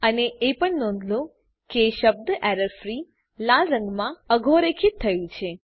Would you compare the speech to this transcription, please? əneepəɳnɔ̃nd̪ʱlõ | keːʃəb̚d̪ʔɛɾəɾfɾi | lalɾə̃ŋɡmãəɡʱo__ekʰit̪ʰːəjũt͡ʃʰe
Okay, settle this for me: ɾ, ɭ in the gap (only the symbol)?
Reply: ɾ